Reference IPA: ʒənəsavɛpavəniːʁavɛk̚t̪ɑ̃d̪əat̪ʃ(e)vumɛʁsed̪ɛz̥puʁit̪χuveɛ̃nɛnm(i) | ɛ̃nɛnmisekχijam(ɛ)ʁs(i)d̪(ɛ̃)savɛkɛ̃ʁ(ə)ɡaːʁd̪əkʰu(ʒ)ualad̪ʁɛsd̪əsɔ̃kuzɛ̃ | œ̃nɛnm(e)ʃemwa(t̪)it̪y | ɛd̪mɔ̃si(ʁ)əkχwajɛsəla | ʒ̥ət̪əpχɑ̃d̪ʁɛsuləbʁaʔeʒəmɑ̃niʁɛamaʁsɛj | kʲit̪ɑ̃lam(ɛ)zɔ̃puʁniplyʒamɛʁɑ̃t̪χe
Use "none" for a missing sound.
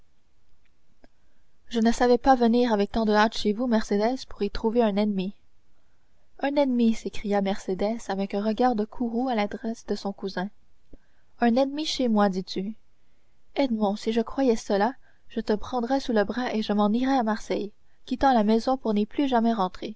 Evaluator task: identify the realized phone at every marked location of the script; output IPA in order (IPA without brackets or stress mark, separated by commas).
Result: e, i, ɛ, e, ɛ, ə, ʁ, i, d̪, ʒ, ɛ